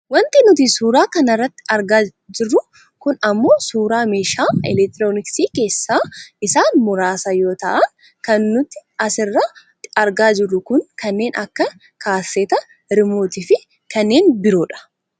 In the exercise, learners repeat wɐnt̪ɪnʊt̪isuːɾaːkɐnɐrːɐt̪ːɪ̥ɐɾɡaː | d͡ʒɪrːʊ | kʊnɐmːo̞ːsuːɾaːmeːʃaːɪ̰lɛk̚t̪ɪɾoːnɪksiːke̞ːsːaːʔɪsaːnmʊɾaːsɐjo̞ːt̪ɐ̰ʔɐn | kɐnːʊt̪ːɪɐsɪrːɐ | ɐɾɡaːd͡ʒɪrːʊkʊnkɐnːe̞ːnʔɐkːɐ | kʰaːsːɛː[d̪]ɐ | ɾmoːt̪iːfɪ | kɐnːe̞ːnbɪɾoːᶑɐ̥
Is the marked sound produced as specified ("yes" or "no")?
no